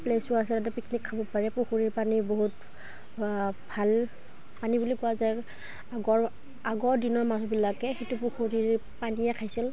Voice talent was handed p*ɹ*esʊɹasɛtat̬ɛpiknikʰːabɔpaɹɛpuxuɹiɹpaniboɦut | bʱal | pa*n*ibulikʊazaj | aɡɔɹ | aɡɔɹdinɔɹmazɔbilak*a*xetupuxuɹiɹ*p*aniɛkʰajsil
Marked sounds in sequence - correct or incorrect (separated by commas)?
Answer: incorrect, correct, incorrect, correct